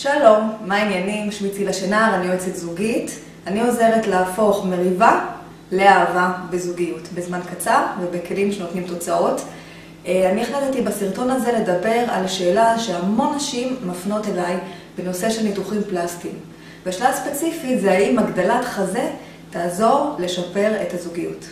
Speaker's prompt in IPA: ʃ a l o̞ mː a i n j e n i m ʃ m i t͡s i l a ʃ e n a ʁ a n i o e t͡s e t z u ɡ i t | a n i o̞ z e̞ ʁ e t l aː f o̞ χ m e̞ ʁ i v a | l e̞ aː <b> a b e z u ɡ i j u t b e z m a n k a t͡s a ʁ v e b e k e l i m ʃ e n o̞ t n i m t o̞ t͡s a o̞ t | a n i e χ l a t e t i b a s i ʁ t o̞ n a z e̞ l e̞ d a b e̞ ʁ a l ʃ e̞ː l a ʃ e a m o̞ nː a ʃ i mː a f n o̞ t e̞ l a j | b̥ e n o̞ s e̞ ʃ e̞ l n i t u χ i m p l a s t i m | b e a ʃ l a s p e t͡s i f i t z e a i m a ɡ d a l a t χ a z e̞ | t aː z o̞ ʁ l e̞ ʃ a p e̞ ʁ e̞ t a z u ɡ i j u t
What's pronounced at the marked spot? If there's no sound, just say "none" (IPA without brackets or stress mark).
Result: v